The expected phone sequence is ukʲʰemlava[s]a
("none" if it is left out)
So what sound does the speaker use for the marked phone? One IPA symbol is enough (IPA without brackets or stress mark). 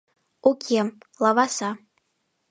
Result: s